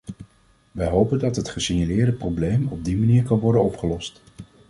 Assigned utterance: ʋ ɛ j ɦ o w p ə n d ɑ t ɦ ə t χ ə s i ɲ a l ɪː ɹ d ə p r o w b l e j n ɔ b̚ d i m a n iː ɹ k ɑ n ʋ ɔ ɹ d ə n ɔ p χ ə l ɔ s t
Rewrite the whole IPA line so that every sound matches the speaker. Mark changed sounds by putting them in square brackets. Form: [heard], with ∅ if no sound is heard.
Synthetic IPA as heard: ʋ ɛ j ɦ o w p ə n d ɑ t ɦ ə t χ ə s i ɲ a l ɪː ɹ d ə p r o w b l e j [m] ɔ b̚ d i m a n iː ɹ k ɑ n ʋ ɔ ɹ d ə n ɔ p χ ə l ɔ s t